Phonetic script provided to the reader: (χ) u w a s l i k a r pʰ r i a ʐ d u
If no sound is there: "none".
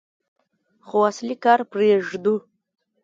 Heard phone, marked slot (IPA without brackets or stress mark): χ